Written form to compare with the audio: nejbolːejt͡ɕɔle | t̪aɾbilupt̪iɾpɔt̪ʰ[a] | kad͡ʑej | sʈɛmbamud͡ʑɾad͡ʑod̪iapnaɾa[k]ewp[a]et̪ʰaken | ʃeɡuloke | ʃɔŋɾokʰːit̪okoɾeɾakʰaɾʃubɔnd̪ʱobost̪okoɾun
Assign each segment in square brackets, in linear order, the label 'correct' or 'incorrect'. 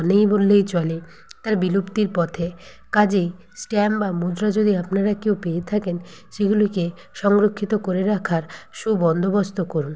incorrect: e, correct, incorrect: e

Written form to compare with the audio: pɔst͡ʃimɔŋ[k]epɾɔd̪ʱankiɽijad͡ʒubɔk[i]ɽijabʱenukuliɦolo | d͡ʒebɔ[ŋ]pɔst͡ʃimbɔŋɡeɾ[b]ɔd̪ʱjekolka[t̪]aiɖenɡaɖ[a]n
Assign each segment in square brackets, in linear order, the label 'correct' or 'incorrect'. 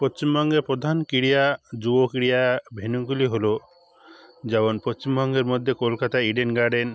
incorrect: ɡ, correct, incorrect: n, incorrect: m, correct, incorrect: e

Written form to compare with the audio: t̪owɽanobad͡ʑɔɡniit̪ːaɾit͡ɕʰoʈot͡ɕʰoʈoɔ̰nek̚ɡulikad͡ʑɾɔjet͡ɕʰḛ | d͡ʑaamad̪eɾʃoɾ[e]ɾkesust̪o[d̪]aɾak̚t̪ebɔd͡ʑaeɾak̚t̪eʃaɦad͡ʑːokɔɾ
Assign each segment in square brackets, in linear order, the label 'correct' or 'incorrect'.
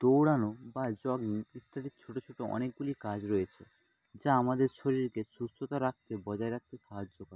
incorrect: i, incorrect: t̪

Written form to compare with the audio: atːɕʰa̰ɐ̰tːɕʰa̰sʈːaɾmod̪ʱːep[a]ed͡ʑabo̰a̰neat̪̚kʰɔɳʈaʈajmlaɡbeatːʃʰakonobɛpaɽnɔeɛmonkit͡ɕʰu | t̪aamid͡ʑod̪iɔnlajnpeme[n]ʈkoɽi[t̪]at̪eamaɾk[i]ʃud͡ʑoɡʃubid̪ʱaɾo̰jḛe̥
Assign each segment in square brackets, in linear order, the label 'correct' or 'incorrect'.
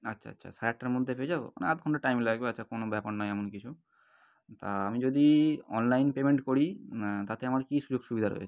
incorrect: e, incorrect: ɳ, correct, correct

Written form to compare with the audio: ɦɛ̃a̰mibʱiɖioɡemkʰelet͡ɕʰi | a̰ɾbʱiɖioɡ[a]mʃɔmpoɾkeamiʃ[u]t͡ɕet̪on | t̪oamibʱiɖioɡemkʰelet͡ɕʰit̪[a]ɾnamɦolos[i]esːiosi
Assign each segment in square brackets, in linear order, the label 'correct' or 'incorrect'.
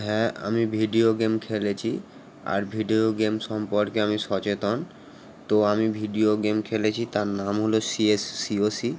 incorrect: e, incorrect: ɔ, correct, correct

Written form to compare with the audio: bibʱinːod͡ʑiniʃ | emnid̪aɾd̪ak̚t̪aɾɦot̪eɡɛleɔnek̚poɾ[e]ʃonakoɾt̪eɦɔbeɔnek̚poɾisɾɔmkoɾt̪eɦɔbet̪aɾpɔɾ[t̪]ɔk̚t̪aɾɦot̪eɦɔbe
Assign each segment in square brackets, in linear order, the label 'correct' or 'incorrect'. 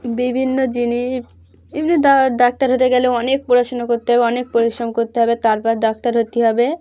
incorrect: a, incorrect: d̪

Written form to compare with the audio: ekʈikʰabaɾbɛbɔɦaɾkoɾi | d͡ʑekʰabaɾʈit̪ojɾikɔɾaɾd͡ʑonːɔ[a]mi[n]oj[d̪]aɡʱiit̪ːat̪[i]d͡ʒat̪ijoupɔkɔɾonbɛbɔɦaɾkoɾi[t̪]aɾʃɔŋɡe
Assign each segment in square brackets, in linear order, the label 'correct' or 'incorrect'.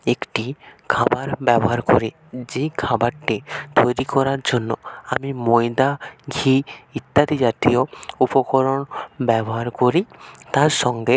correct, incorrect: m, correct, correct, correct

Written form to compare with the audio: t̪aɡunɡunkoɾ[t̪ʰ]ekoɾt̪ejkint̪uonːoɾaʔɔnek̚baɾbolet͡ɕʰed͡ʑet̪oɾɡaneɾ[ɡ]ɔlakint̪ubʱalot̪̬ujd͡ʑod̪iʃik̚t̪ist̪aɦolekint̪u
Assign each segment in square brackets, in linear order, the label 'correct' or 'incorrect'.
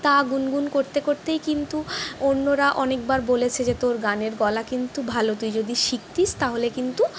incorrect: t̪, correct

